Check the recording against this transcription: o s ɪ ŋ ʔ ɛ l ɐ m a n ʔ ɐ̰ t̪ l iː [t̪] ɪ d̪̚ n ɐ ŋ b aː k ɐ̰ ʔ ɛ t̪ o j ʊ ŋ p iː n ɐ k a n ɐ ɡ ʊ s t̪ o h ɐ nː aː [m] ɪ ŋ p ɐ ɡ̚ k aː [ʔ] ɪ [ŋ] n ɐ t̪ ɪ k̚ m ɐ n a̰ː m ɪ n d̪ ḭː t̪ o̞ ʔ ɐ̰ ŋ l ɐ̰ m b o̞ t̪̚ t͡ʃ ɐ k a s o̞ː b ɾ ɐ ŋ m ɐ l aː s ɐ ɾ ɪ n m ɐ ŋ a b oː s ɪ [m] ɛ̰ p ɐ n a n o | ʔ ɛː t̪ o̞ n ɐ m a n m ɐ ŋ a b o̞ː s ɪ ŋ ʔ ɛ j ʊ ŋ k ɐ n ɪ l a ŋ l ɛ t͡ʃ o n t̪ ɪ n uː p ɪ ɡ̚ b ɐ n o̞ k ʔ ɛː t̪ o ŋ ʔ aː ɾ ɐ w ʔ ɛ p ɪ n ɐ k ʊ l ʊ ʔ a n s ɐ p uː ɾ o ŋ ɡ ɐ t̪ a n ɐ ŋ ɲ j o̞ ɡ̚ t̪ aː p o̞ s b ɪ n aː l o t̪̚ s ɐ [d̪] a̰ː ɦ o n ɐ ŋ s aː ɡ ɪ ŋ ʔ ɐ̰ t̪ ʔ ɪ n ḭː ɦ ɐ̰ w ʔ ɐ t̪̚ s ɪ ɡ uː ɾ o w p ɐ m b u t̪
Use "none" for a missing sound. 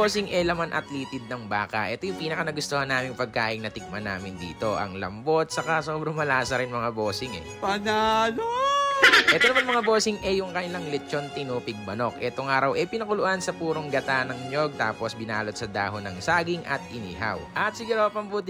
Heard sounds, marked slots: t̪, m, ʔ, ŋ, ŋ, d̪

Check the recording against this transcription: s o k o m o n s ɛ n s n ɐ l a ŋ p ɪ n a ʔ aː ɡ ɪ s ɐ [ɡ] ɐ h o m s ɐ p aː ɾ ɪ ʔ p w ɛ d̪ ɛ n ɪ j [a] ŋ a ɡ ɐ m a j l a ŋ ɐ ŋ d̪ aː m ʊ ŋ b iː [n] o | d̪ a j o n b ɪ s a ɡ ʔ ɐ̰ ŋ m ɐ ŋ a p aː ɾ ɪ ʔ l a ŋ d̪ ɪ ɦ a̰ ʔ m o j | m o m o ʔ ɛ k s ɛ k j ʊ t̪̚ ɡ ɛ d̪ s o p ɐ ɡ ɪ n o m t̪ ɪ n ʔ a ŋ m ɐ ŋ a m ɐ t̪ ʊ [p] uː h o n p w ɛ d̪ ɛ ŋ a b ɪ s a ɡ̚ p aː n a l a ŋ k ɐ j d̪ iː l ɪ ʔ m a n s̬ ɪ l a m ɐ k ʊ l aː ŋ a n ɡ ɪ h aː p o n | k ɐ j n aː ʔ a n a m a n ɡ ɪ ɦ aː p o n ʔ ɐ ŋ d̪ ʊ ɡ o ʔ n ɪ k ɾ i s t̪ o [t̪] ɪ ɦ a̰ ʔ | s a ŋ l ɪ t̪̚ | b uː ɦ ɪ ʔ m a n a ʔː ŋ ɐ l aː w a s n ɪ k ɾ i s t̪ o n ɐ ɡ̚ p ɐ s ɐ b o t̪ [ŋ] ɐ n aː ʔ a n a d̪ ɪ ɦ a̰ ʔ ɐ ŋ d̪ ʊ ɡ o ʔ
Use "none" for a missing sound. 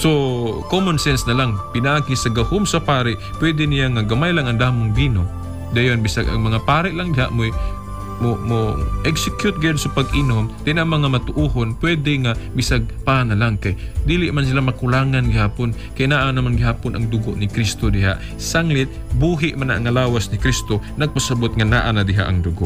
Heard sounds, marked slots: ɡ, a, n, ʔ, d̪, ŋ

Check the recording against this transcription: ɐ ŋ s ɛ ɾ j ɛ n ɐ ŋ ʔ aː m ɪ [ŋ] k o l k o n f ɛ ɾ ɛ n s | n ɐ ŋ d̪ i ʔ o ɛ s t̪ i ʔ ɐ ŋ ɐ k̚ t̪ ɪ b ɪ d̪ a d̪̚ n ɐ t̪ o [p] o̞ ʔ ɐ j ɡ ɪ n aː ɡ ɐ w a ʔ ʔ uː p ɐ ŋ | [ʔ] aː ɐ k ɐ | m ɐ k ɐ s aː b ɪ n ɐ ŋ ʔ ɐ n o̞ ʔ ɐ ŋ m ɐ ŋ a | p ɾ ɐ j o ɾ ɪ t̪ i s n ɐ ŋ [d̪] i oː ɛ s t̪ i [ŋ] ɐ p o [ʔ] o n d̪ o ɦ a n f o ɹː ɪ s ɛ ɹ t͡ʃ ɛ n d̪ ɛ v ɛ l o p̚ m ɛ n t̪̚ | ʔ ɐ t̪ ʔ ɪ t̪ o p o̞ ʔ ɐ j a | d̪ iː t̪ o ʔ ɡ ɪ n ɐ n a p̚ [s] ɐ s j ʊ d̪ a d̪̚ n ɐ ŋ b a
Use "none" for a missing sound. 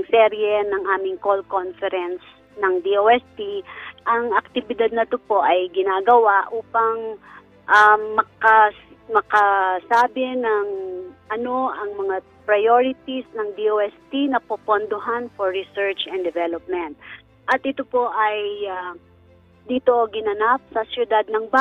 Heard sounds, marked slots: ŋ, p, ʔ, d̪, n, p, s

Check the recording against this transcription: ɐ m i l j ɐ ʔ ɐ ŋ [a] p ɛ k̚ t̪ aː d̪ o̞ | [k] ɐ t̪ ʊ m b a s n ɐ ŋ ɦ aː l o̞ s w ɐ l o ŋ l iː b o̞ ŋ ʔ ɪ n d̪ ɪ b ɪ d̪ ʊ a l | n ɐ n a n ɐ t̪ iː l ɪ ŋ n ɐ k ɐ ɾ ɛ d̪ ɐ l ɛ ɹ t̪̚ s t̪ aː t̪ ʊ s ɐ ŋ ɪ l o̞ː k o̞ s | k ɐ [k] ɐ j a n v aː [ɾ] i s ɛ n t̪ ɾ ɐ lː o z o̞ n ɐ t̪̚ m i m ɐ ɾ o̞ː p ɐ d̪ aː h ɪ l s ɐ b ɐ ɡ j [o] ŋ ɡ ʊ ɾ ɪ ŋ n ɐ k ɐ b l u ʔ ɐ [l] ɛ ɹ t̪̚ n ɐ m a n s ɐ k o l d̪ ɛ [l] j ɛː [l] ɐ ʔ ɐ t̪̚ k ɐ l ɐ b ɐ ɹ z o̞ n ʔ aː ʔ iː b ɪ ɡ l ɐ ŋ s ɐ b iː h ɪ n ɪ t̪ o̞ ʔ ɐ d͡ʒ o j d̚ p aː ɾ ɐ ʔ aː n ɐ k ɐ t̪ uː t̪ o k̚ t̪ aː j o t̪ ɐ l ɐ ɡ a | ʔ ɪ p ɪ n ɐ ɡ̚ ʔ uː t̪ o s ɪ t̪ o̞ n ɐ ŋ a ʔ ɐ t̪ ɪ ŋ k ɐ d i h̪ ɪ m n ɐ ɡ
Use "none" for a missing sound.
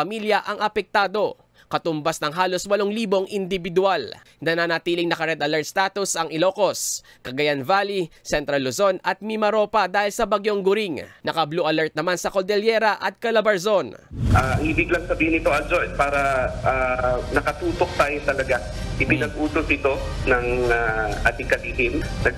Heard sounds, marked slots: ɐ, k, ɡ, l, o, l, l, ɾ

